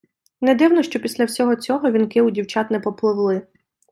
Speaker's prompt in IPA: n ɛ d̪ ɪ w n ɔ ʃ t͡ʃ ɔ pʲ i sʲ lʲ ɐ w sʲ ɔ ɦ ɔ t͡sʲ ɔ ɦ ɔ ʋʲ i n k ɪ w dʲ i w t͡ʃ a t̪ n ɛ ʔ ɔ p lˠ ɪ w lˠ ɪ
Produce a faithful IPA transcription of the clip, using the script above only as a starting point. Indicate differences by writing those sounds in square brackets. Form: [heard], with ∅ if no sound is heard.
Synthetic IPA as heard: n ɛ d̪ ɪ w n ɔ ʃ t͡ʃ ɔ pʲ i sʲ lʲ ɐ w sʲ ɔ ɦ ɔ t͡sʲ ɔ ɦ ɔ ʋʲ i n k ɪ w dʲ i w t͡ʃ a t̪ n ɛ [p] ɔ p lˠ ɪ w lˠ ɪ